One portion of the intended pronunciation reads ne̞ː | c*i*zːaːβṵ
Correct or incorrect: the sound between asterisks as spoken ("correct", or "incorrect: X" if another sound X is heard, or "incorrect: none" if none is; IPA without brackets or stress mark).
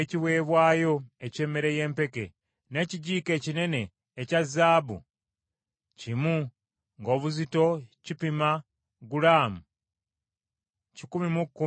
incorrect: a